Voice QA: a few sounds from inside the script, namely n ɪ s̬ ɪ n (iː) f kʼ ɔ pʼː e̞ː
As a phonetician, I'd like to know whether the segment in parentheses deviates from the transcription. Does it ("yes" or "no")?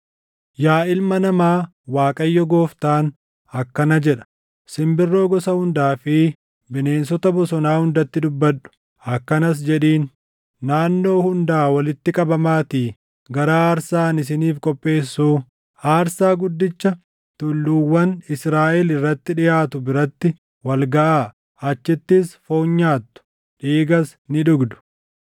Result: no